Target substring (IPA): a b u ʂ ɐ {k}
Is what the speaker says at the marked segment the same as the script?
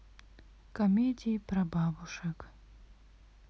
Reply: yes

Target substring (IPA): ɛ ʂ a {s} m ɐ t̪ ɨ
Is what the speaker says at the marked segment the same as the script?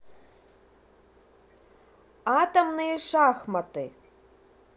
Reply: no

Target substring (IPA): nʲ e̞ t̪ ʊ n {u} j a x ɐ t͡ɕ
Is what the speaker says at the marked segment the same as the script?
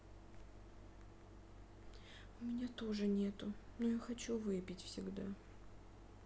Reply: no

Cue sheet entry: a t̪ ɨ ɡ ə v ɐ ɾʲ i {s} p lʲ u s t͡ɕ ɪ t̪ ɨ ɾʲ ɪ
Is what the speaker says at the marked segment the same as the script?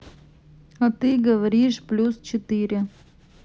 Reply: no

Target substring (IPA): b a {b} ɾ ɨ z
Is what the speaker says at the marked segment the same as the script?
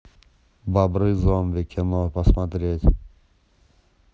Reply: yes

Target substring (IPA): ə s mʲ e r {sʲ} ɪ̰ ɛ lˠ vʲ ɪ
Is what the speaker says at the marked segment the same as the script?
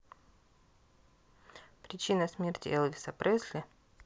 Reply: no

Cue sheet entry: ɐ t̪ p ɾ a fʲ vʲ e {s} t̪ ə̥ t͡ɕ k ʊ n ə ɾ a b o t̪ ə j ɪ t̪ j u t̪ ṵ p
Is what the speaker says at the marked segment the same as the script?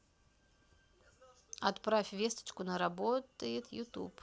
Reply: yes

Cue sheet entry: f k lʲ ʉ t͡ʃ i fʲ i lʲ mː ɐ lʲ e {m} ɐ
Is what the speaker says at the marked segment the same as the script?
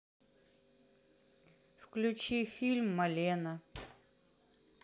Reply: no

